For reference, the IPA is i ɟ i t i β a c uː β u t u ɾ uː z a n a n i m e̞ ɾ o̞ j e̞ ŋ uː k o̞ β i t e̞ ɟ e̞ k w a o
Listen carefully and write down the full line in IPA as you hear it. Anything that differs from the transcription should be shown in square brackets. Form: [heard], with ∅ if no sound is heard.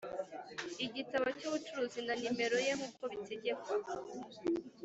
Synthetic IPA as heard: i ɟ i t [a] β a c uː β u [t͡ʃ] u ɾ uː z [i] n a n i m e̞ ɾ o̞ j e̞ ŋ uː k o̞ β i t e̞ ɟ e̞ k w a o